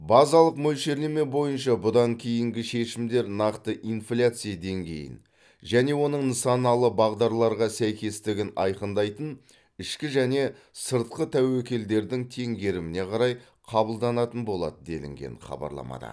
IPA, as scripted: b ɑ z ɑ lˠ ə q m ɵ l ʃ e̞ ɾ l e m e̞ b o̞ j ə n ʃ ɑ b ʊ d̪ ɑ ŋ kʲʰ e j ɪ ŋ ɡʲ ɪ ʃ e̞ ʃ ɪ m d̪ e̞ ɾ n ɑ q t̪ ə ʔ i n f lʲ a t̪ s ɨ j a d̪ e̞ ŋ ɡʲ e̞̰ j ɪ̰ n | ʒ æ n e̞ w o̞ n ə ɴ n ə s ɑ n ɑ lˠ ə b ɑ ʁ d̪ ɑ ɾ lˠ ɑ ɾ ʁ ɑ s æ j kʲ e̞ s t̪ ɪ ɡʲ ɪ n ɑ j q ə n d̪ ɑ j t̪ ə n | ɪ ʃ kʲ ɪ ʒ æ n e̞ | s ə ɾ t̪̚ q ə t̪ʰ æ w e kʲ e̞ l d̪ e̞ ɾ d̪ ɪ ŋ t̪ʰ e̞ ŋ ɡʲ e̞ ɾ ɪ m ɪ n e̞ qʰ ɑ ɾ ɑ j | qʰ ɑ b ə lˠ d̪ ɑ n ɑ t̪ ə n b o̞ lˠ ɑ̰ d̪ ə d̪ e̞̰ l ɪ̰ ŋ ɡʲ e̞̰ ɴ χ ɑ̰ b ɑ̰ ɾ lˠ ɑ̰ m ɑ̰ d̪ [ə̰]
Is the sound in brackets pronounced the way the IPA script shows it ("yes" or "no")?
no